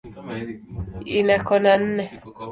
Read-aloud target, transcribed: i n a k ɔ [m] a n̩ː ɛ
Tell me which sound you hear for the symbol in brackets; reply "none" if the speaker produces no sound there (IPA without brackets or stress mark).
n